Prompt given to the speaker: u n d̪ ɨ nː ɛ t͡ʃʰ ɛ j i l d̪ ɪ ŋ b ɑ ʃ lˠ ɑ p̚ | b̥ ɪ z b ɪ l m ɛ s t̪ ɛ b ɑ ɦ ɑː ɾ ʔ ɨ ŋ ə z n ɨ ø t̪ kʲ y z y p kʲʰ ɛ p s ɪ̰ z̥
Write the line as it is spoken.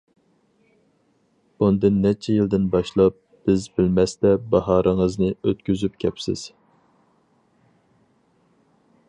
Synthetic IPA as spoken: u n d̪ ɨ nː ɛ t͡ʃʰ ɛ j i l d̪ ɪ n b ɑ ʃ lˠ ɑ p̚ | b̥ ɪ z b ɪ l m ɛ s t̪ ɛ b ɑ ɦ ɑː ɾ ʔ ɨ ŋ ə z n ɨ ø t̪ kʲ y z y p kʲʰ ɛ p s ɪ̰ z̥

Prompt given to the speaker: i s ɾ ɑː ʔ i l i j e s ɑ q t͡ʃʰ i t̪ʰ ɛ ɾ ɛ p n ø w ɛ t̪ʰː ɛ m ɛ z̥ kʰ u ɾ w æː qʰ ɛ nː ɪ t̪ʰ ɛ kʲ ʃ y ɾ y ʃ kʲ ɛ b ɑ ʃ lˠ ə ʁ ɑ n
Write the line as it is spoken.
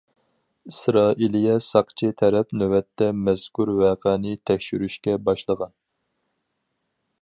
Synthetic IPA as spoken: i s ɾ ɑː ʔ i l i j ɛ s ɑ q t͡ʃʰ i t̪ʰ ɛ ɾ ɛ p n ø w ɛ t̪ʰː ɛ m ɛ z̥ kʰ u ɾ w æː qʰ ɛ n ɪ t̪ʰ ɛ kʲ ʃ y ɾ y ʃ kʲ ɛ b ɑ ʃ lˠ ə ʁ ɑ n

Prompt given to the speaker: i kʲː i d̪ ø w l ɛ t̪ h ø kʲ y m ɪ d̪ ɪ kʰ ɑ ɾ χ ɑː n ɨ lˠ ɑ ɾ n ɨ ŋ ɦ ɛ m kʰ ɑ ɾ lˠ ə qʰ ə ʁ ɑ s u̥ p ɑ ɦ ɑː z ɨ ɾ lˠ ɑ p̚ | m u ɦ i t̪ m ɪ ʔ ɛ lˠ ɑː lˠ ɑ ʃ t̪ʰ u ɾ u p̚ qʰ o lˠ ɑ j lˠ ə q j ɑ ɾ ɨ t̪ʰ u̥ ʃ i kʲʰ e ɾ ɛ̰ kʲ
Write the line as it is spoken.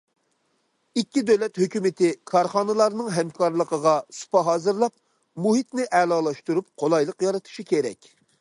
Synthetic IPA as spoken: i kʲː i d̪ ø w l ɛ t̪ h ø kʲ y m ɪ t̪ ɪ kʰ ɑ ɾ χ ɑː n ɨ lˠ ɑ ɾ n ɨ ŋ ɦ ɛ m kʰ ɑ ɾ lˠ ə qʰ ə ʁ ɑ s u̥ p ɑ ɦ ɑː z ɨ ɾ lˠ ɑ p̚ | m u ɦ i t̪ n ɪ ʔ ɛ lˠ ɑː lˠ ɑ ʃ t̪ u ɾ u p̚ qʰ o lˠ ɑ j lˠ ə q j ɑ ɾ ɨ t̪ʰ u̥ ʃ i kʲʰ e ɾ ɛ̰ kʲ

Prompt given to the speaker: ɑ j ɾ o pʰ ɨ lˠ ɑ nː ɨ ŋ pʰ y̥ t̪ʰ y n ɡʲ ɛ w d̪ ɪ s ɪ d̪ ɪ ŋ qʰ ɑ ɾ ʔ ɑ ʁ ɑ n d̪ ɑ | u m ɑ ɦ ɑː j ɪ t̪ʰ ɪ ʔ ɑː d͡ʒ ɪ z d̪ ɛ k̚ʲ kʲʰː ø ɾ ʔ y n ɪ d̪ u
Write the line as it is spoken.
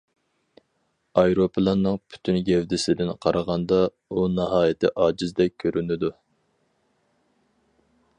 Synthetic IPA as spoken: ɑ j ɾ o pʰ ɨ lˠ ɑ nː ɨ ŋ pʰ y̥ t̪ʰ y n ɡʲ ɛ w d̪ ɪ s ɪ d̪ ɪ n qʰ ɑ ɾ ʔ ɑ ʁ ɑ n d̪ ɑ | u n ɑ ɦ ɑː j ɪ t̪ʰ ɪ ʔ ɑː d͡ʒ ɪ z d̪ ɛ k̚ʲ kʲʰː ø ɾ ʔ y n ɪ d̪ u

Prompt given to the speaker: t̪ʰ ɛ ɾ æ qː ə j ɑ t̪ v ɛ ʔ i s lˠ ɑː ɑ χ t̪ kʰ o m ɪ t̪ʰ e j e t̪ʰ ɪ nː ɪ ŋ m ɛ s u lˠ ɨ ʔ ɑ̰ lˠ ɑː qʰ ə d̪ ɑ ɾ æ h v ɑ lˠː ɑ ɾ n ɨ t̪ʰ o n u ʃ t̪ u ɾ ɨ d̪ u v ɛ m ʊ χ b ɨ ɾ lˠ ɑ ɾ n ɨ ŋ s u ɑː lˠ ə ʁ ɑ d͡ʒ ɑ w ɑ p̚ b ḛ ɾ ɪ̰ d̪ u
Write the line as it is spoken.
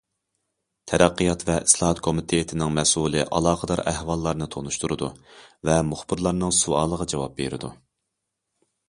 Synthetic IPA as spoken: t̪ʰ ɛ ɾ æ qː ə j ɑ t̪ v ɛ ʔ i s lˠ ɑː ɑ t̪ kʰ o m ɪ t̪ʰ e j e t̪ʰ ɪ n ɪ ŋ m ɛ s u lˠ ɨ ʔ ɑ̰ lˠ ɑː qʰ ə d̪ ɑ ɾ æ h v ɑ lˠː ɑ ɾ n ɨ t̪ʰ o n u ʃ t̪ u ɾ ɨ d̪ u v ɛ m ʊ χ b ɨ ɾ lˠ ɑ ɾ n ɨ ŋ s u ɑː lˠ ə ʁ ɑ d͡ʒ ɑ w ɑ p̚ b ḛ ɾ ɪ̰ d̪ u

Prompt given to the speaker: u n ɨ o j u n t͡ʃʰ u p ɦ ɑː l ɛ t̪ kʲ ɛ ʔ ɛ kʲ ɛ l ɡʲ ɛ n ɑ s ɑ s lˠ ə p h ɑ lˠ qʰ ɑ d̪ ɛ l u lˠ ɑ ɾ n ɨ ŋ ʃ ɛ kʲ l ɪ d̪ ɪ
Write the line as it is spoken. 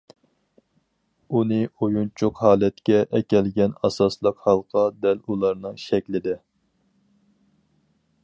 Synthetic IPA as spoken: u n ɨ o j u n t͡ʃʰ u q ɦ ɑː l ɛ t̪ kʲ ɛ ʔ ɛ kʲ ɛ l ɡʲ ɛ n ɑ s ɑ s lˠ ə q h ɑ lˠ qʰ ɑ d̪ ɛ l u lˠ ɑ ɾ n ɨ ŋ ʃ ɛ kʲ l ɪ d̪ ɪ

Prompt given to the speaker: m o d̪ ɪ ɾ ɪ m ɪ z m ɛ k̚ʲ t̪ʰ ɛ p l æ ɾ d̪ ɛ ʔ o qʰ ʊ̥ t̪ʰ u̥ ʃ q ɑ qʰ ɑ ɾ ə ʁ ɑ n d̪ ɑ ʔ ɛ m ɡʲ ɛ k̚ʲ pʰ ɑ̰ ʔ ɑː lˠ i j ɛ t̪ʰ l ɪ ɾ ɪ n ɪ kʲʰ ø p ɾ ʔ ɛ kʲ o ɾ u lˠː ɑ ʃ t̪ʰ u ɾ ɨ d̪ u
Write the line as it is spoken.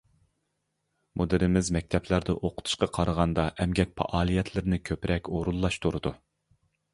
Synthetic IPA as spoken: m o d̪ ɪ ɾ ɪ m ɪ z m ɛ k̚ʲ t̪ʰ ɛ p l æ ɾ d̪ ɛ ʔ o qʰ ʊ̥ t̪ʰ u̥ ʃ q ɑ qʰ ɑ ɾ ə ʁ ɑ n d̪ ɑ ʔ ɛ m ɡʲ ɛ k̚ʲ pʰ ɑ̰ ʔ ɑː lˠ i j ɛ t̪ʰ l ɪ ɾ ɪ n ɪ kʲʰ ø p ɾ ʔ ɛ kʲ o ɾ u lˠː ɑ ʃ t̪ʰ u ɾ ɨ d̪ u

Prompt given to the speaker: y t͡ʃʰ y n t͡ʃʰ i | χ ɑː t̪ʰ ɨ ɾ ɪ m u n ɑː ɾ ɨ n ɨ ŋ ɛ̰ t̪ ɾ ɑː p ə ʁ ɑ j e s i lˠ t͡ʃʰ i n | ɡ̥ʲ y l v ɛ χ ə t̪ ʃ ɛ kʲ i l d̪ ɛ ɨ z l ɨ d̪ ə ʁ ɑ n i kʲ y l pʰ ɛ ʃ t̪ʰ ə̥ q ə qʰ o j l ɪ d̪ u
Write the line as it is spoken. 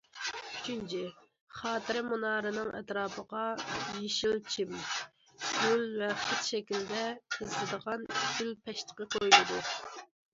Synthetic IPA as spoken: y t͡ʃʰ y n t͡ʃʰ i | χ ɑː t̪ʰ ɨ ɾ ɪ m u n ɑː ɾ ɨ n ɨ ŋ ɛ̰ t̪ ɾ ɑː p ə ʁ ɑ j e ʃ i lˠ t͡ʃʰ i m | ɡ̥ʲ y l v ɛ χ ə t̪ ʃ ɛ kʲ i l d̪ ɛ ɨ z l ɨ d̪ ə ʁ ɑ n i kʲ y l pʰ ɛ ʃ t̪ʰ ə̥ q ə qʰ o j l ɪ d̪ u

